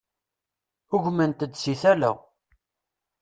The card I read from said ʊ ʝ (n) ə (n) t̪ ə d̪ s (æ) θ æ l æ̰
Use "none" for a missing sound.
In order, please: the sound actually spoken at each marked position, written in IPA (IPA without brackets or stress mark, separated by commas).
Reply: m, n, i